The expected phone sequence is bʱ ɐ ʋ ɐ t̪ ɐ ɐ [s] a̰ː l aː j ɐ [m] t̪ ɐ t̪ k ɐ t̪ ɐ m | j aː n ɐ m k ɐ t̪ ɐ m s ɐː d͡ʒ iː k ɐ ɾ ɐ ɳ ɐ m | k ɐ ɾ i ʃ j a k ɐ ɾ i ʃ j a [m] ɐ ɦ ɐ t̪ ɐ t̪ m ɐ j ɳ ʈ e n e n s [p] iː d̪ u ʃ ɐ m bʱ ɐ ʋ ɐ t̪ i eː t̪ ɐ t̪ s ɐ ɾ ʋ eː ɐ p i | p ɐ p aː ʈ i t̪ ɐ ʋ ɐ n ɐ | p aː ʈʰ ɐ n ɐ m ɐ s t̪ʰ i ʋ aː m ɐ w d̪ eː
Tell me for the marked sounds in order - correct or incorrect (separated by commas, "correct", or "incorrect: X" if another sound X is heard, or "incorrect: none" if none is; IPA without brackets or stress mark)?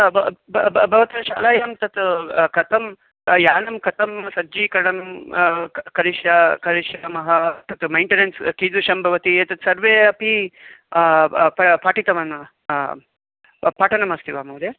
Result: incorrect: ʃ, correct, correct, incorrect: k